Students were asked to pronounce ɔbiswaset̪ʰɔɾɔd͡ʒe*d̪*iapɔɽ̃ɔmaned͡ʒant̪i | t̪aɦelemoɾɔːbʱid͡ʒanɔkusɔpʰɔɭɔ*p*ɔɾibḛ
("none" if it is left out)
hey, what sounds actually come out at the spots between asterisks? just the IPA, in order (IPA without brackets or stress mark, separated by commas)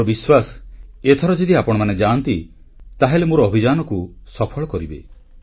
d̪, k